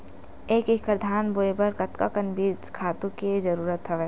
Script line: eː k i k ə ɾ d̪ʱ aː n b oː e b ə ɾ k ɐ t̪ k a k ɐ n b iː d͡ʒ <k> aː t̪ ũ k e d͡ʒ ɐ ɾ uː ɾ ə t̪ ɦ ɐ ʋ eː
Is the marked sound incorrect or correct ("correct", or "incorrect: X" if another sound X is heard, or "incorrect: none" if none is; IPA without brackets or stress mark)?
incorrect: kʰ